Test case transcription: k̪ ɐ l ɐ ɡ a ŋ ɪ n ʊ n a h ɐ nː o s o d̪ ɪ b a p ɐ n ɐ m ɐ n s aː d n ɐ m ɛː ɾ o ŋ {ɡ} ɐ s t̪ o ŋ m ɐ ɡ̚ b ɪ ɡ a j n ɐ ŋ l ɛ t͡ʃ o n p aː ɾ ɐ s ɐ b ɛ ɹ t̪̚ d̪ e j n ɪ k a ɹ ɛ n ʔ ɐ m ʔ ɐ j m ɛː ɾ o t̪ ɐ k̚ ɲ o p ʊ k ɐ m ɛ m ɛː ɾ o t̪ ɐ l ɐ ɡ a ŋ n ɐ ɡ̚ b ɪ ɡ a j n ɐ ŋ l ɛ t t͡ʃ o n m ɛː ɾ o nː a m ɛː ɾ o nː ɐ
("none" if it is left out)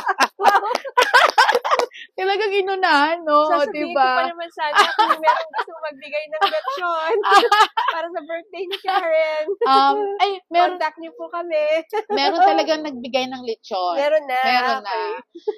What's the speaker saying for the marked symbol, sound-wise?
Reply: ɡ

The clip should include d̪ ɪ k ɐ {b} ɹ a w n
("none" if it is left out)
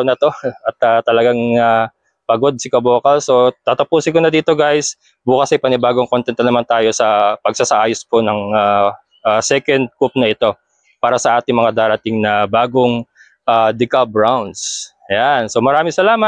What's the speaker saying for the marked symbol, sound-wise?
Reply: b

